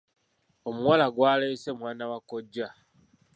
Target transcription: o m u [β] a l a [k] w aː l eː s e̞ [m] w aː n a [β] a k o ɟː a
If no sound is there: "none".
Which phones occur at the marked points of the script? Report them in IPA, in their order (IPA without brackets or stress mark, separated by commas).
w, ɡ, m, w